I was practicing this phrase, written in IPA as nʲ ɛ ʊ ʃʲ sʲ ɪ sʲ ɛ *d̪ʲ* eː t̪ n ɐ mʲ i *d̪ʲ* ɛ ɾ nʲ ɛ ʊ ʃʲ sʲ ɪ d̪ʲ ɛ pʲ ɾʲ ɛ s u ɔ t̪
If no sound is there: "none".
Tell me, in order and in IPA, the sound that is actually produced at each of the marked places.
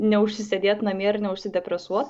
d̪ʲ, none

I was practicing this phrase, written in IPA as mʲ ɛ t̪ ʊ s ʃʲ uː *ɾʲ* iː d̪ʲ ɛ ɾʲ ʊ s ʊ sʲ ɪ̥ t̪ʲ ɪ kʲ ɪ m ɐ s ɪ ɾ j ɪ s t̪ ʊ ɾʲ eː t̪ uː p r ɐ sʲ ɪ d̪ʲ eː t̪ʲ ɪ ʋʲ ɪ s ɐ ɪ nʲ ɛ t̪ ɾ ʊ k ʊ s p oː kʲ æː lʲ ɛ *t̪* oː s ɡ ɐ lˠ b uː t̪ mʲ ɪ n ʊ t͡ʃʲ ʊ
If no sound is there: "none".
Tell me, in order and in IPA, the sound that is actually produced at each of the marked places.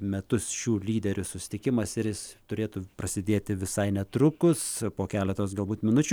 lʲ, t̪

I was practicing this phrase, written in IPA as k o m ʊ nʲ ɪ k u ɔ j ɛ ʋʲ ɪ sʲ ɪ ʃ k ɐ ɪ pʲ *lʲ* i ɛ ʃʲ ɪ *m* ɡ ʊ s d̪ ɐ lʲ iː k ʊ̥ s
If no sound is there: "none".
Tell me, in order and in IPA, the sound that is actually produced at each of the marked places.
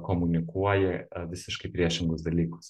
ɾʲ, ŋ

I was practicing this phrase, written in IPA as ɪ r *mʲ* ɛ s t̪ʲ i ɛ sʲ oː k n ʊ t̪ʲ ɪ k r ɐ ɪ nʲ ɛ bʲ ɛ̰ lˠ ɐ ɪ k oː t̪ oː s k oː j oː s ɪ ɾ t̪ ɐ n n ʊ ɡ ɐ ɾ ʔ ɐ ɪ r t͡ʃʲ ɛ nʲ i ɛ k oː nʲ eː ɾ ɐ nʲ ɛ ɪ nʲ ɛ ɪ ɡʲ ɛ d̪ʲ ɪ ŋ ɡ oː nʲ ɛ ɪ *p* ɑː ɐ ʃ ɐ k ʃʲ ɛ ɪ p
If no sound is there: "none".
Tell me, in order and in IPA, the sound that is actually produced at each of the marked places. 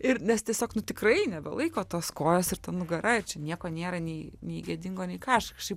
nʲ, k

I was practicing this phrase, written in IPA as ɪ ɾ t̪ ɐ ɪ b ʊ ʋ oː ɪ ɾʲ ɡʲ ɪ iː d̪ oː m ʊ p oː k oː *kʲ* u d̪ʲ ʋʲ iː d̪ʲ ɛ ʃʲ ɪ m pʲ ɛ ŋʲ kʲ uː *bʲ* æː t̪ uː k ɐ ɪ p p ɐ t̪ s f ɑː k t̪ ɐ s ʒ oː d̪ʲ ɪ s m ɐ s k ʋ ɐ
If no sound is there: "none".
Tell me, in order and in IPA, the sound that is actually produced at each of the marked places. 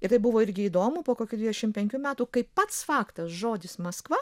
kʲ, mʲ

